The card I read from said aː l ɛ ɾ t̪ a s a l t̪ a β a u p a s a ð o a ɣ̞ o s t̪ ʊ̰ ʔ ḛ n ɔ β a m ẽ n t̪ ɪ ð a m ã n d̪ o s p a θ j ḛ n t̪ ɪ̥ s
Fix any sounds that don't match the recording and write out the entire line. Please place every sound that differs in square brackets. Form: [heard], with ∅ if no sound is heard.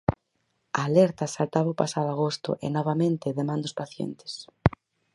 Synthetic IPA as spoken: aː l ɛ ɾ t̪ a s a l t̪ a β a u p a s a ð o a ɣ̞ o s t̪ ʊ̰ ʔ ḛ n ɔ β a m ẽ n t̪ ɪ ð [e] m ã n d̪ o s p a θ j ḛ n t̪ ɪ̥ s